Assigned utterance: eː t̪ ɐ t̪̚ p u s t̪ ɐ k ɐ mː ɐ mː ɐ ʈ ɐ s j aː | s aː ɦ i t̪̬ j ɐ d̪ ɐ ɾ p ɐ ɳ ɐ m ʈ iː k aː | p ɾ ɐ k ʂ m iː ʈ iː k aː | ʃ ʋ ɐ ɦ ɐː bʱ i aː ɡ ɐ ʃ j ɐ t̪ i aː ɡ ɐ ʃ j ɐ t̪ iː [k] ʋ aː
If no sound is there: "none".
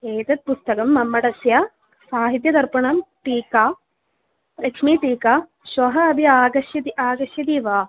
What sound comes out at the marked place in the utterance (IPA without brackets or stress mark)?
none